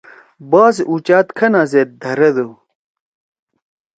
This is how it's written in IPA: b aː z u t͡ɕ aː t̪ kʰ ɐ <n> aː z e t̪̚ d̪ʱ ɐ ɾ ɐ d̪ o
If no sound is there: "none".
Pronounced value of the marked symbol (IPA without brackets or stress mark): n